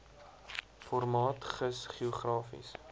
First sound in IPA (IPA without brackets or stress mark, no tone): f